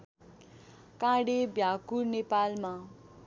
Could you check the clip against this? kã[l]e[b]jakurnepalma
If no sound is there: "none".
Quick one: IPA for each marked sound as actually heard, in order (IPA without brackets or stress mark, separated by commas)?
ɽ, b